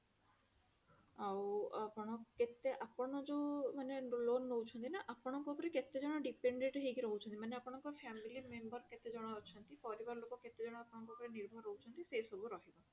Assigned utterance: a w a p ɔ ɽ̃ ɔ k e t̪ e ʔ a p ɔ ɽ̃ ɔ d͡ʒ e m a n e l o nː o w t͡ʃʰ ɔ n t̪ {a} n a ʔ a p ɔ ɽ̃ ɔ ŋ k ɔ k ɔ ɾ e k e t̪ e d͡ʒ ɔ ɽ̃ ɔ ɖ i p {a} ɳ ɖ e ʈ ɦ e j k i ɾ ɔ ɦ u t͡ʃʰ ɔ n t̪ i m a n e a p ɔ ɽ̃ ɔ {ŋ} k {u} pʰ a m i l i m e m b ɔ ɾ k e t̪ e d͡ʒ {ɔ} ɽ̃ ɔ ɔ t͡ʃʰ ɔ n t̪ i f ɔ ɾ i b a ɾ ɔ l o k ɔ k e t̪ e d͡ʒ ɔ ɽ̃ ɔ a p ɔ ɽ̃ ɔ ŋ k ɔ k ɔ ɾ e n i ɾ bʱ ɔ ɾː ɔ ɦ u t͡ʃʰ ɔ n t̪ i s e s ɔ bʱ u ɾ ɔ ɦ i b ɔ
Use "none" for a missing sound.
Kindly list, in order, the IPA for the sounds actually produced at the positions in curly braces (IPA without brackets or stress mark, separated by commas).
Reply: i, e, ŋ, ɔ, ɔ